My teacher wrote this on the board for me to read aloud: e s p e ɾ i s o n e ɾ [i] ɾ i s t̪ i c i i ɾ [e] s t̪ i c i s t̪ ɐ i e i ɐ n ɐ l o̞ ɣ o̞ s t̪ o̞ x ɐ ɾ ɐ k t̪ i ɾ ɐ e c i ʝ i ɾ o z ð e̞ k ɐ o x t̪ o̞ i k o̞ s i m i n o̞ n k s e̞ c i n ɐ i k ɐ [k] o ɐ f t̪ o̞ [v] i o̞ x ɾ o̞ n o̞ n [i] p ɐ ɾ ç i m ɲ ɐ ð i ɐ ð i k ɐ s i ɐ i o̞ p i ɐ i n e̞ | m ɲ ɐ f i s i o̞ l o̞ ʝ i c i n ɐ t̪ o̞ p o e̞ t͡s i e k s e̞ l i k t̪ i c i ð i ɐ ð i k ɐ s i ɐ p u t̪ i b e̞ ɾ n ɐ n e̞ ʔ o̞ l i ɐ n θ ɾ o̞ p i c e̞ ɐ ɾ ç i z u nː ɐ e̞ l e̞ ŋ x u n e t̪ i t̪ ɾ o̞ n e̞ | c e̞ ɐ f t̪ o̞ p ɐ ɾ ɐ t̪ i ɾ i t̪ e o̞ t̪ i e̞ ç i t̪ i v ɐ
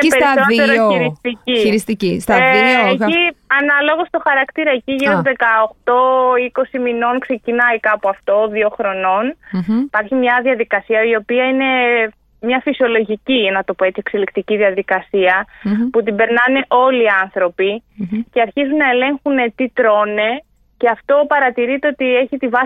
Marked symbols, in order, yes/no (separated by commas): yes, no, no, no, yes